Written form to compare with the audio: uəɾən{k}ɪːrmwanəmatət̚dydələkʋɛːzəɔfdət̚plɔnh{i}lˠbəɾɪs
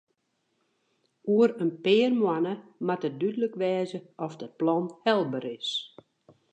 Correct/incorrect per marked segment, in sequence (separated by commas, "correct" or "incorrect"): incorrect, incorrect